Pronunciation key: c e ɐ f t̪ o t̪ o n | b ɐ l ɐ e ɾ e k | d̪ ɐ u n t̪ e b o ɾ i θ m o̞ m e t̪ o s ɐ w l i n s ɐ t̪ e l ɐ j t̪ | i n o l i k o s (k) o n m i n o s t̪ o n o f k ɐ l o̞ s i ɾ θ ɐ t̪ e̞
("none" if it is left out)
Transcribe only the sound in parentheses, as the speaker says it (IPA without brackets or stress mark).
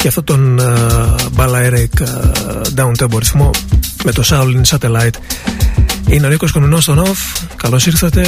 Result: k